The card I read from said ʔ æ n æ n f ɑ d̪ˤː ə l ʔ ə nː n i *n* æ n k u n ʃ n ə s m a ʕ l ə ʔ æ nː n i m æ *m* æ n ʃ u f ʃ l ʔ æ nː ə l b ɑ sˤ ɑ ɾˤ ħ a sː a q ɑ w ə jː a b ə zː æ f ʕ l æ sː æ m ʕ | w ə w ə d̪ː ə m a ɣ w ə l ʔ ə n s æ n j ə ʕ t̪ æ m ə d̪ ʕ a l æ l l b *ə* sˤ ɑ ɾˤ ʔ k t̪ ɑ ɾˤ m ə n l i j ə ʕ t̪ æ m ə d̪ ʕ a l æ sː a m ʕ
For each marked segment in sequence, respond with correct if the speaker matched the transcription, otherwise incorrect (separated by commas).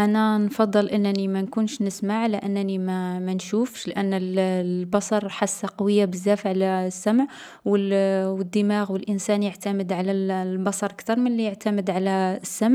incorrect, correct, incorrect